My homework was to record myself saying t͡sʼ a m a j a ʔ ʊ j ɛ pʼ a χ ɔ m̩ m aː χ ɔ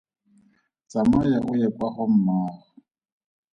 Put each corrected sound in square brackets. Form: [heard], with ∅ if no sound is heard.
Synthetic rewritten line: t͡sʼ a m a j a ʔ ʊ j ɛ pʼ a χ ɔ m̩ m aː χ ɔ